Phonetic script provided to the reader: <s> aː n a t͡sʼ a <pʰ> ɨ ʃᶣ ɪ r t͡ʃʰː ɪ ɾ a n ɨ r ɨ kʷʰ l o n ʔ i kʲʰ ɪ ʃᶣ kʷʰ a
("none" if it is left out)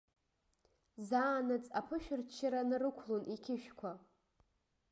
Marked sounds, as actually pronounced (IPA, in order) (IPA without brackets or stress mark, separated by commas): z, pʰ